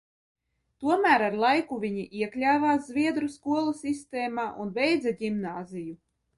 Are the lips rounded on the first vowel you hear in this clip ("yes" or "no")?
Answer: yes